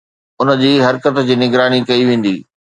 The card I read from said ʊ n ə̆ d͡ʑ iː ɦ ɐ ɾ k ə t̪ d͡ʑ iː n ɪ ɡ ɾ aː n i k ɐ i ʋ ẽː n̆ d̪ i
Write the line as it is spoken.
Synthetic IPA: ʊ n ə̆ d͡ʑ iː ɦ ɐ ɾ k ə t̪ d͡ʑ iː n ɪ ɡ ɾ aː n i k ɐ i ʋ ẽː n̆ d̪ iː